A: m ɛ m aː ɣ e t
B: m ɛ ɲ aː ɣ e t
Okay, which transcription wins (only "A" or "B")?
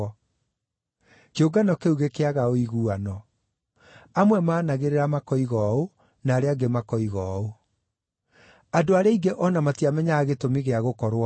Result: B